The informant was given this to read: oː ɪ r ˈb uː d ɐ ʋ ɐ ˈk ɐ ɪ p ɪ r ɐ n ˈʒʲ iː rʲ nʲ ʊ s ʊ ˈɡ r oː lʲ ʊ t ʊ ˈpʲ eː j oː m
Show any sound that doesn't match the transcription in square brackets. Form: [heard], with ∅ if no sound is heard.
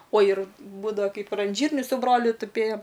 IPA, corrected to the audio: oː ɪ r ˈb uː d ɐ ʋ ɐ ˈk ɐ ɪ p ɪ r ɐ n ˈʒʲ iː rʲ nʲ ʊ s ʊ [ˈb] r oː lʲ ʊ t ʊ ˈpʲ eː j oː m

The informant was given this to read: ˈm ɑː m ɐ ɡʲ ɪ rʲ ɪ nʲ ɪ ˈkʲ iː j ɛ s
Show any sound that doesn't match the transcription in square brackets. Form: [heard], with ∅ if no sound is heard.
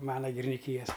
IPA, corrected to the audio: ˈm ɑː [n] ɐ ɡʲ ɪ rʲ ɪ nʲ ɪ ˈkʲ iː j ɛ s

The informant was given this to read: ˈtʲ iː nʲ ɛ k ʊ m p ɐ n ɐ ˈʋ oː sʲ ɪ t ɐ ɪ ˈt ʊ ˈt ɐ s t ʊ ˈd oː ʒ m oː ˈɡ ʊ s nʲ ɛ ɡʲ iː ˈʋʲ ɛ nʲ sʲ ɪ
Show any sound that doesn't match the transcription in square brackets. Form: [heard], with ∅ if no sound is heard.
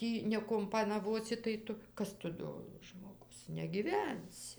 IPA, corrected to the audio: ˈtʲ iː nʲ ɛ k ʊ m p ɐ n ɐ ˈʋ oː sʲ ɪ t ɐ ɪ ˈt ʊ [ˈk] ɐ s t ʊ ˈd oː ʒ m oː ˈɡ ʊ s nʲ ɛ ɡʲ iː ˈʋʲ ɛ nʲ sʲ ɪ

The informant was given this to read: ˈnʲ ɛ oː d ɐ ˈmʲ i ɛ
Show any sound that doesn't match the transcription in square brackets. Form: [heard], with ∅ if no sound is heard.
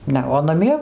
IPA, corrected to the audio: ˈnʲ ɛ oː [n] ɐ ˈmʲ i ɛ

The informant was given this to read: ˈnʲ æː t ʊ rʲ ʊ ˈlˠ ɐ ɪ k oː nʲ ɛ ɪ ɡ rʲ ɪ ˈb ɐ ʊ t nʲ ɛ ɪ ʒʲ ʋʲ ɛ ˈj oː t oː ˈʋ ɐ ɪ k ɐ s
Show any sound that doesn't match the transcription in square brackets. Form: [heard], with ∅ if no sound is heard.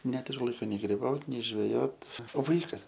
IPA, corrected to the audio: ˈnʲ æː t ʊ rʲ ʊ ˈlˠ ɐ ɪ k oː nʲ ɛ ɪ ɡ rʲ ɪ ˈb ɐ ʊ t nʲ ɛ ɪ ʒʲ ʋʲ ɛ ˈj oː t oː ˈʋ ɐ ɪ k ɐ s

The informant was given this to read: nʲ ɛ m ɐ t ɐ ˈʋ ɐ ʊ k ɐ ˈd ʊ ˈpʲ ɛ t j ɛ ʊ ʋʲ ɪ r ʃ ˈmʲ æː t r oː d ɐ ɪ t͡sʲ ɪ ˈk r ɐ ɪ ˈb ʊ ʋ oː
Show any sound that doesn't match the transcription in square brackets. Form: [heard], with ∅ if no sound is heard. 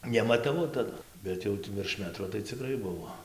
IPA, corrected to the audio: nʲ ɛ m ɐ t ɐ ˈʋ ɐ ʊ [t] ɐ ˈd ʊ [ˈbʲ] ɛ t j ɛ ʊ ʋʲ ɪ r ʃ ˈmʲ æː t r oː [t] ɐ ɪ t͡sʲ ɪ ˈk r ɐ ɪ ˈb ʊ ʋ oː

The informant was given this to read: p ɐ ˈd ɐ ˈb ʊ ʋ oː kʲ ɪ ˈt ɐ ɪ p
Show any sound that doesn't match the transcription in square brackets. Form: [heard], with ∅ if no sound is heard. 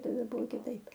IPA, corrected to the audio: [t] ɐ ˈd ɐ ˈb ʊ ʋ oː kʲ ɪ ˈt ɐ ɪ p

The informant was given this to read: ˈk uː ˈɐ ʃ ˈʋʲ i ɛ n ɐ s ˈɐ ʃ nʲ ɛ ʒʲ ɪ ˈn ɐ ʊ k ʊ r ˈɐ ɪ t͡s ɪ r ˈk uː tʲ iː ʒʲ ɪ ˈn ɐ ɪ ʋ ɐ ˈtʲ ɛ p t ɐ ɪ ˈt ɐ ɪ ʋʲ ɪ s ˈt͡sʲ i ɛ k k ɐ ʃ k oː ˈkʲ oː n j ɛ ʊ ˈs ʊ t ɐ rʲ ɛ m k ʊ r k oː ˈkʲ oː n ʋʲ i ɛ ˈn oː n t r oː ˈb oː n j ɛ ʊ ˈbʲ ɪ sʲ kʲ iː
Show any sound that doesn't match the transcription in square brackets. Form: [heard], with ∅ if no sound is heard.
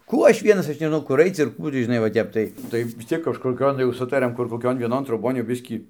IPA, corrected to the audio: ˈk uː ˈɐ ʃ ˈʋʲ i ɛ n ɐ s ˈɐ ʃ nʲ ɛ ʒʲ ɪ ˈn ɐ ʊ k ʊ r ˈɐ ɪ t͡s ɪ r ˈk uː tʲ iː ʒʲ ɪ ˈn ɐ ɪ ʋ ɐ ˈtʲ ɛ p t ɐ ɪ ˈt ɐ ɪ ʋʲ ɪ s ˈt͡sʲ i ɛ k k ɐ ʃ k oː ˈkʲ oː n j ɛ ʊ ˈs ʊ t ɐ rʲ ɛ m k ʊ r k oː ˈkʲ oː n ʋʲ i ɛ ˈn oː n t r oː ˈb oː n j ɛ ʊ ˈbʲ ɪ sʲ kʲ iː

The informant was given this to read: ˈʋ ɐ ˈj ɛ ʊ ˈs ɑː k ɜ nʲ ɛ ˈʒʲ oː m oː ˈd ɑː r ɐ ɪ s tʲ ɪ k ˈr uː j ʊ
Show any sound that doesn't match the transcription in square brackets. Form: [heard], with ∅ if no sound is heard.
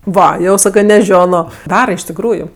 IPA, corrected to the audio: ˈʋ ɐ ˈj ɛ ʊ ˈs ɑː k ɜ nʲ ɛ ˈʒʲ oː [n] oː ˈd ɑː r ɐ ɪ [ʃ] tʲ ɪ k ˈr uː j ʊ

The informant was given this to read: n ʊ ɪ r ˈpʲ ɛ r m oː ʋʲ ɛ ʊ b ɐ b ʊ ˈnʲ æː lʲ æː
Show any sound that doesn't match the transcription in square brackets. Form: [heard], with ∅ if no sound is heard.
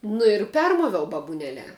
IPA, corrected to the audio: n ʊ ɪ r ˈpʲ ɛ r m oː ʋʲ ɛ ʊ b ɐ b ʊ ˈnʲ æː lʲ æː

